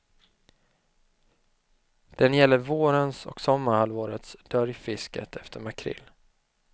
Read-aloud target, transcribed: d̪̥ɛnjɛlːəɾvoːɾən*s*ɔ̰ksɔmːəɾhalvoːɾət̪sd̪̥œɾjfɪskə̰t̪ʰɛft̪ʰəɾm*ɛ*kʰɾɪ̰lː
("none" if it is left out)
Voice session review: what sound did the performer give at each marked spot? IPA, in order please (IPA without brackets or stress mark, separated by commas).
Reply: s, a